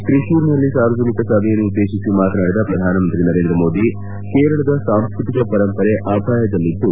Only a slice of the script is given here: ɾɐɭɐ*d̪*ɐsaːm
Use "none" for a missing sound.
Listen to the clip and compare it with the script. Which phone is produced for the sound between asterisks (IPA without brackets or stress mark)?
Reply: d̪